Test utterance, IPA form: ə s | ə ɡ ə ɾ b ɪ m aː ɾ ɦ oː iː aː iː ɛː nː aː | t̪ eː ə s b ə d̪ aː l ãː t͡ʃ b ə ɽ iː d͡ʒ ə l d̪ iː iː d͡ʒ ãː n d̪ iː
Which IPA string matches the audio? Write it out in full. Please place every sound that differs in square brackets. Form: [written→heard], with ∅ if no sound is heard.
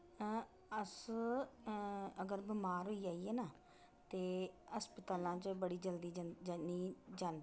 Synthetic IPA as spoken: ə s | ə ɡ ə ɾ b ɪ m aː ɾ ɦ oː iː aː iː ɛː [nː→n] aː | t̪ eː ə s [b→p] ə [d̪→t̪] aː l ãː t͡ʃ b ə ɽ iː d͡ʒ ə l d̪ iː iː d͡ʒ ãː n d̪ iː